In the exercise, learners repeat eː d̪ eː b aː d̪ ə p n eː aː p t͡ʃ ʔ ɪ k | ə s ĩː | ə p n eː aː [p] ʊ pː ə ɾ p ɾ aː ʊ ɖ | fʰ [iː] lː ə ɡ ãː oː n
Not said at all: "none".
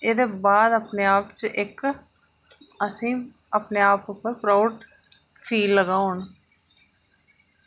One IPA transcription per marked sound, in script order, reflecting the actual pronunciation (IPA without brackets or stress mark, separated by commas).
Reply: p, iː